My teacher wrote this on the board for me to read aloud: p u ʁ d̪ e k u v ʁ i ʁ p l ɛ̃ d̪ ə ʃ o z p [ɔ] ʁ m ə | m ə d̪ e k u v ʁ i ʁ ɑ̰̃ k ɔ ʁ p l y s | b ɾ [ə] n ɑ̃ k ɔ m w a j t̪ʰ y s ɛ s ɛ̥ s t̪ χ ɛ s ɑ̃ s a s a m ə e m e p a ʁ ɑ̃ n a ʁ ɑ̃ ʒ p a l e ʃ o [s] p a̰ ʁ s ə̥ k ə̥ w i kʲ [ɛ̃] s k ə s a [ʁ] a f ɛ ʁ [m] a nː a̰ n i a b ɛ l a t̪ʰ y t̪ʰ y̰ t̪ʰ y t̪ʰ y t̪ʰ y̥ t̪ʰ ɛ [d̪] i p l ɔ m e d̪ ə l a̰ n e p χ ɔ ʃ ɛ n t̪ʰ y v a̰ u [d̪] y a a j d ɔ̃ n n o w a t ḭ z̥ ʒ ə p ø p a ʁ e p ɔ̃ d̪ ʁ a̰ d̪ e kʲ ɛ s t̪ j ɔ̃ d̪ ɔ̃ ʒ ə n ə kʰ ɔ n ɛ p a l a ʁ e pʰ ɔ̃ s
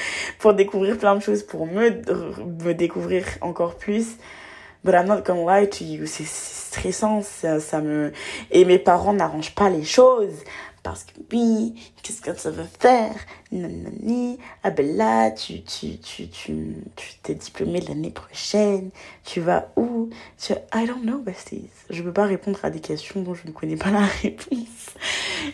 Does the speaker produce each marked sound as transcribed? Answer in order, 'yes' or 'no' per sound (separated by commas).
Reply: no, no, no, no, no, no, yes, no